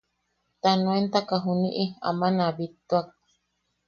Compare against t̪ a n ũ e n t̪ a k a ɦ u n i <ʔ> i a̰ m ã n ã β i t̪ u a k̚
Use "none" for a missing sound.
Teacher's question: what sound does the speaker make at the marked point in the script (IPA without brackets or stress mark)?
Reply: ʔ